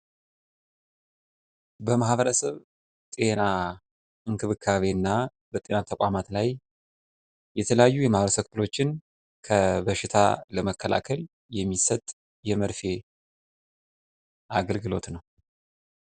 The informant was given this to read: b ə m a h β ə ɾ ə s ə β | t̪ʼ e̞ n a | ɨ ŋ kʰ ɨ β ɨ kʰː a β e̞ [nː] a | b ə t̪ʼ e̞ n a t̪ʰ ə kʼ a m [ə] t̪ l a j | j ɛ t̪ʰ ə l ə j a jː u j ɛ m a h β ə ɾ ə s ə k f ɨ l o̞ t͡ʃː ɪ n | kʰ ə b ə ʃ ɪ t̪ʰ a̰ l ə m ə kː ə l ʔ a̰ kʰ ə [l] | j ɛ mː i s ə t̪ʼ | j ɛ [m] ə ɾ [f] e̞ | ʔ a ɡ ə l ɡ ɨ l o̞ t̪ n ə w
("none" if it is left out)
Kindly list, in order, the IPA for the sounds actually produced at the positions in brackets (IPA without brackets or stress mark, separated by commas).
nː, a, l, m, f